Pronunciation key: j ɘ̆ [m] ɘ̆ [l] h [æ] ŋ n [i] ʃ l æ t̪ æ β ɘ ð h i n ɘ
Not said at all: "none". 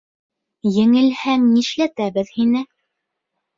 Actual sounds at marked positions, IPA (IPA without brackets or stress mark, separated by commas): ŋ, l, æ, i